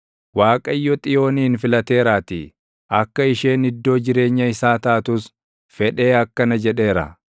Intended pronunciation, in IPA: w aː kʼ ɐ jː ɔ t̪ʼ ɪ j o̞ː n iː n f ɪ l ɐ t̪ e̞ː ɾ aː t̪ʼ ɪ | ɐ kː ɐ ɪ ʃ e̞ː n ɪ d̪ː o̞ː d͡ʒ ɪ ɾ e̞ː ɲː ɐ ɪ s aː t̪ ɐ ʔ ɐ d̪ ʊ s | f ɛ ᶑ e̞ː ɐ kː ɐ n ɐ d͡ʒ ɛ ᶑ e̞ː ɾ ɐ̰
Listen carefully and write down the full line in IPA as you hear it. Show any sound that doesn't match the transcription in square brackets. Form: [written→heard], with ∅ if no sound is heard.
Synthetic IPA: w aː kʼ ɐ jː ɔ t̪ʼ ɪ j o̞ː n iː n f ɪ l ɐ t̪ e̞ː ɾ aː [t̪ʼ→t̪] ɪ | ɐ kː ɐ ɪ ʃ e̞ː n ɪ d̪ː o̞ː d͡ʒ ɪ ɾ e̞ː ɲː ɐ ɪ s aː t̪ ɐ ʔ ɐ [d̪→t̪] ʊ s | f ɛ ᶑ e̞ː ɐ kː ɐ n ɐ d͡ʒ ɛ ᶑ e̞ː ɾ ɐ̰

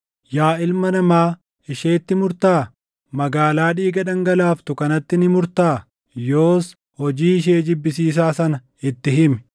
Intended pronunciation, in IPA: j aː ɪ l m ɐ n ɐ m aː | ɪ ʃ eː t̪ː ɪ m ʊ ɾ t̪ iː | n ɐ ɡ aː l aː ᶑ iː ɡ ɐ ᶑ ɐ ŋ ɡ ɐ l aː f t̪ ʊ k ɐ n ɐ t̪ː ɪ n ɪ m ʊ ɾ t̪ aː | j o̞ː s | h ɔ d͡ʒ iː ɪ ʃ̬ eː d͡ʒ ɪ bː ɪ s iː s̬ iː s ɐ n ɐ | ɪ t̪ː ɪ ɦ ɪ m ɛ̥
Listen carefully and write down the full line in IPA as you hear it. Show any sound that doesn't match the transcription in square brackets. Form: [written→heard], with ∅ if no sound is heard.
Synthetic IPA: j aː ɪ l m ɐ n ɐ m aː | ɪ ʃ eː t̪ː ɪ m ʊ ɾ t̪ [iː→aː] | [n→m] ɐ ɡ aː l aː ᶑ iː ɡ ɐ ᶑ ɐ ŋ ɡ ɐ l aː f t̪ ʊ k ɐ n ɐ t̪ː ɪ n ɪ m ʊ ɾ t̪ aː | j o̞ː s | h ɔ d͡ʒ iː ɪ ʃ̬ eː d͡ʒ ɪ bː ɪ s iː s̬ [iː→aː] s ɐ n ɐ | ɪ t̪ː ɪ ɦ ɪ m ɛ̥

